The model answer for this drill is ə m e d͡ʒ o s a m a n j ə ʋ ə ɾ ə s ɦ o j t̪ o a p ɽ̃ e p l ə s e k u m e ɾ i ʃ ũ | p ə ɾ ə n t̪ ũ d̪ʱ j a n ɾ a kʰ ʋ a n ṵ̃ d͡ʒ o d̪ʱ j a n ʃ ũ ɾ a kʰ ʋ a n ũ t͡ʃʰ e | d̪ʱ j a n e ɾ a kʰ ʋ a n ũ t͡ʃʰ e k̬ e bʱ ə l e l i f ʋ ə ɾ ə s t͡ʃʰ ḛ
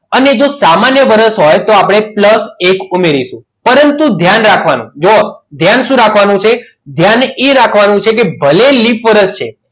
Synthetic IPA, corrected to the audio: ə n e d͡ʒ o s a m a n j ə ʋ ə ɾ ə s ɦ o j t̪ o a p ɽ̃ e p l ə s e k u m e ɾ i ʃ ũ | p ə ɾ ə n t̪ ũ d̪ʱ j a n ɾ a kʰ ʋ a n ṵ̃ d͡ʒ o d̪ʱ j a n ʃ ũ ɾ a kʰ ʋ a n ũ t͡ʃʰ e | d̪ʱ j a n e ɾ a kʰ ʋ a n ũ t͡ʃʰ e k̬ e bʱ ə l e l i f ʋ ə ɾ ə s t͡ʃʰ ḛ